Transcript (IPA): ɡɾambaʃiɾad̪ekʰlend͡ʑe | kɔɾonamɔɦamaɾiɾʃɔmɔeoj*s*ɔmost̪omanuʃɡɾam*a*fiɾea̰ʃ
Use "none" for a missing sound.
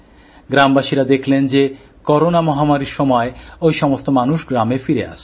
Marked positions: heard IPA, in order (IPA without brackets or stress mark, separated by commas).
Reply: ʃ, e